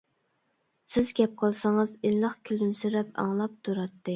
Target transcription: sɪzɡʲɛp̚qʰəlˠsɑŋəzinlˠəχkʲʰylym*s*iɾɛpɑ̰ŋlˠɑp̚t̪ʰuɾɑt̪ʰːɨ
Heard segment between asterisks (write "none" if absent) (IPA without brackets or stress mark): s